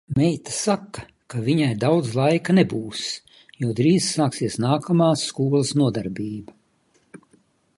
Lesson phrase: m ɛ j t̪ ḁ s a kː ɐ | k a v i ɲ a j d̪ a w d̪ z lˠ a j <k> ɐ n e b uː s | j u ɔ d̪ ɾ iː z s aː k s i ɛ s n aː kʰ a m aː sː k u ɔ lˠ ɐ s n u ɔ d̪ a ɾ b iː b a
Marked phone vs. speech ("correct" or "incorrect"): correct